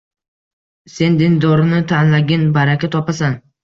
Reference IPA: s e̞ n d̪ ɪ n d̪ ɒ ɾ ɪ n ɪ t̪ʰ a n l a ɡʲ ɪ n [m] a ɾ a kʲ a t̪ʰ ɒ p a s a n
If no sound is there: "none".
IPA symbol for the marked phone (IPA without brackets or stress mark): b